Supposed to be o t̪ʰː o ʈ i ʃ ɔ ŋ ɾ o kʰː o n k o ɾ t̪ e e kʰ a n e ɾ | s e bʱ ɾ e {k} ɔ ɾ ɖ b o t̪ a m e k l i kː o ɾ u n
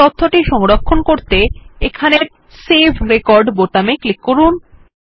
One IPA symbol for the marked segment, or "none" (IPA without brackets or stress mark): k